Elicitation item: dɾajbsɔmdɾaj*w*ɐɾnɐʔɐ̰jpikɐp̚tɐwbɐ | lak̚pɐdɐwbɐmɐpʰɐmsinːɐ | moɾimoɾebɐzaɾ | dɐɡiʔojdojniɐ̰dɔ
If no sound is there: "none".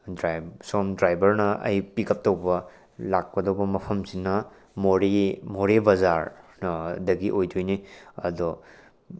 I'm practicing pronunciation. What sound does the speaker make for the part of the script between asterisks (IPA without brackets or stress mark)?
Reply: b